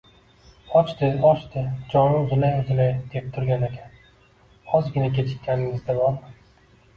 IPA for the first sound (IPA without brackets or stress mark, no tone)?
ɒ